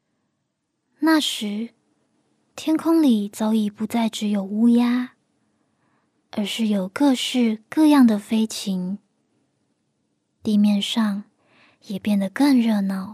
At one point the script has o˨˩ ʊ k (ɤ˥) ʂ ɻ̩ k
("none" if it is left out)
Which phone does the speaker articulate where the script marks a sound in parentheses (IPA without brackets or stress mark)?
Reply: ɤ˥˧